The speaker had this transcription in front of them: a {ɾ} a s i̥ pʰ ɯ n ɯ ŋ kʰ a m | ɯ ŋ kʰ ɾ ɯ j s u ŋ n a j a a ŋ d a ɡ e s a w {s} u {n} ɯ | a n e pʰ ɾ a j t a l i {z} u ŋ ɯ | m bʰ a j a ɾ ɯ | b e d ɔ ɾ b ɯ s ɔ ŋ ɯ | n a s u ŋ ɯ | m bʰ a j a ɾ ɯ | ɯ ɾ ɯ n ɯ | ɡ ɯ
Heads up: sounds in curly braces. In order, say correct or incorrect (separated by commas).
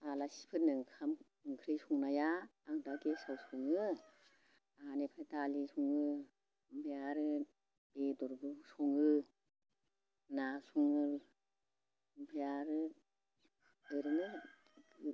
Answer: incorrect, correct, incorrect, incorrect